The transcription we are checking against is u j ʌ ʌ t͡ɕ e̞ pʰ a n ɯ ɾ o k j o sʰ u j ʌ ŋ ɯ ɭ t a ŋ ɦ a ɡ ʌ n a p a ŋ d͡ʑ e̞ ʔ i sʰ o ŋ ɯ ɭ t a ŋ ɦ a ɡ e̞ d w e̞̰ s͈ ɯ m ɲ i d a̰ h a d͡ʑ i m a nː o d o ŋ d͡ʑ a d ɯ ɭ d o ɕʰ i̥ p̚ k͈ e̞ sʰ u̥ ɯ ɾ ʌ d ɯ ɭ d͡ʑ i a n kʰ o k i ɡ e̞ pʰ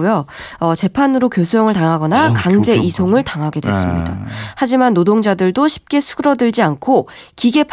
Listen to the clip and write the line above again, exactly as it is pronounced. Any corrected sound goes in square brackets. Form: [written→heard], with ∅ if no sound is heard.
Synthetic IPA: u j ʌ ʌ t͡ɕ e̞ pʰ a n ɯ ɾ o k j o sʰ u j ʌ ŋ ɯ ɭ t a ŋ ɦ a ɡ ʌ n a [p→k] a ŋ d͡ʑ e̞ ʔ i sʰ o ŋ ɯ ɭ t a ŋ ɦ a ɡ e̞ d w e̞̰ s͈ ɯ m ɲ i d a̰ h a d͡ʑ i m a nː o d o ŋ d͡ʑ a d ɯ ɭ d o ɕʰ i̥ p̚ k͈ e̞ sʰ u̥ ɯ ɾ ʌ d ɯ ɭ d͡ʑ i a n kʰ o k i ɡ e̞ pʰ